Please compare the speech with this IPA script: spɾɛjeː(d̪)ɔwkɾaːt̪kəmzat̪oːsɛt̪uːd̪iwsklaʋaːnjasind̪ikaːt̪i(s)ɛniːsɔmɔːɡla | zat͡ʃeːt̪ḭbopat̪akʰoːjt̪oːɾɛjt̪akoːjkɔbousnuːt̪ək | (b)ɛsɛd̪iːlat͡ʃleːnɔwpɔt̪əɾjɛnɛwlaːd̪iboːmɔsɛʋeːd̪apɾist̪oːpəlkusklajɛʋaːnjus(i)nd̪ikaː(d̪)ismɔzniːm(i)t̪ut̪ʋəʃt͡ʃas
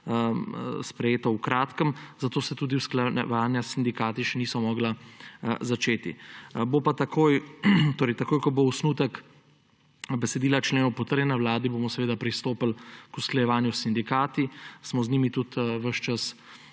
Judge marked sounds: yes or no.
no, no, yes, yes, no, yes

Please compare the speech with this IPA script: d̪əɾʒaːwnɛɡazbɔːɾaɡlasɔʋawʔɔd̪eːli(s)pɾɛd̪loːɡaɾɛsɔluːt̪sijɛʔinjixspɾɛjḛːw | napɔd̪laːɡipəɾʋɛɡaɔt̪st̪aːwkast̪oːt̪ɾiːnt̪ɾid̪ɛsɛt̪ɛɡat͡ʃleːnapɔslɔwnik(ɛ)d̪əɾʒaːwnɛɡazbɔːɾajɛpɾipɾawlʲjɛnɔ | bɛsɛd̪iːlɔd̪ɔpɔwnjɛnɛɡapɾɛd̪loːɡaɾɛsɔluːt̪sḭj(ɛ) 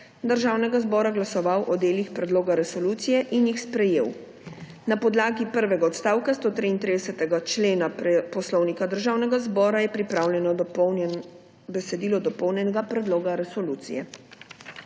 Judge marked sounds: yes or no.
no, no, yes

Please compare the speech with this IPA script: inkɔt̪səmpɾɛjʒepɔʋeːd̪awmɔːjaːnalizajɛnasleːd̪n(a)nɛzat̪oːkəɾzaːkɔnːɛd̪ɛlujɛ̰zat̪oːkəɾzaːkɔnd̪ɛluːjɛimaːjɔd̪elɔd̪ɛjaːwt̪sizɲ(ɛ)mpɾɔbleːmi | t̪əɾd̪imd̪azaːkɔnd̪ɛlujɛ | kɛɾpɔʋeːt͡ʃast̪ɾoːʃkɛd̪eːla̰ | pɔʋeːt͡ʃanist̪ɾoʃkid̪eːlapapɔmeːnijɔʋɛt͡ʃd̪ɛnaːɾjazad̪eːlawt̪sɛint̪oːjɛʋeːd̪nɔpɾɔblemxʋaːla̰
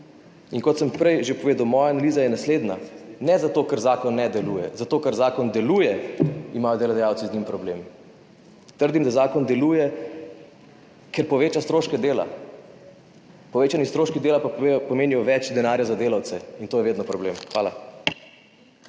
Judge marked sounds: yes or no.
yes, no

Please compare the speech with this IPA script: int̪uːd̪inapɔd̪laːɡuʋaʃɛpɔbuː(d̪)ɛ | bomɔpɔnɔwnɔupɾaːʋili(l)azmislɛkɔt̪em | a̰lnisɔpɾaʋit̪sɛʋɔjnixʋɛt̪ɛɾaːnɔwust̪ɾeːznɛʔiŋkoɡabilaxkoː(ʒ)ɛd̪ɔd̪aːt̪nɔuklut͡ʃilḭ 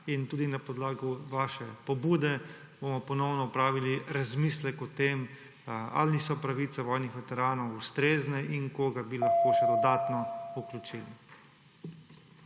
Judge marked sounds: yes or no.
yes, no, no

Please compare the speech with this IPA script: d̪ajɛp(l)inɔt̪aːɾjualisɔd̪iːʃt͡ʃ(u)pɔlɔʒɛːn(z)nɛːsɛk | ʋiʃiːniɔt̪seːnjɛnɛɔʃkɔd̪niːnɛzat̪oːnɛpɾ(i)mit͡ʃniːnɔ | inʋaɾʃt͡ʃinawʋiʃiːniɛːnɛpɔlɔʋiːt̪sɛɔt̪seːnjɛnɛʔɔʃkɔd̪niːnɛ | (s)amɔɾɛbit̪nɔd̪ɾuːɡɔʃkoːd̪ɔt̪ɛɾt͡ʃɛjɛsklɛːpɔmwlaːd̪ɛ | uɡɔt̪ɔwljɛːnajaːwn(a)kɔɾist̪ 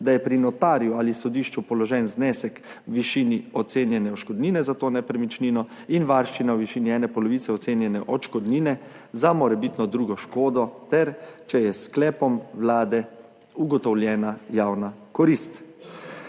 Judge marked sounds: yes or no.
no, yes, yes, no, no, yes

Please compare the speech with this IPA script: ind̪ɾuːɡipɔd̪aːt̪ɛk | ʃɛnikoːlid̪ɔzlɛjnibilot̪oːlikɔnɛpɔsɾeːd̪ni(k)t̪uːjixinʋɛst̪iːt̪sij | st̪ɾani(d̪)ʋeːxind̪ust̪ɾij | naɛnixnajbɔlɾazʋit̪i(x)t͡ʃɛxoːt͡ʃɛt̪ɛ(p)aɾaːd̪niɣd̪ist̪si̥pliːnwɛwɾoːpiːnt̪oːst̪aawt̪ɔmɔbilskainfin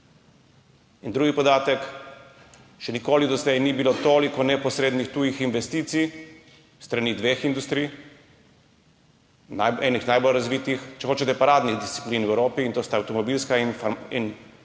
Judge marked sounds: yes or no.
no, yes, yes, yes

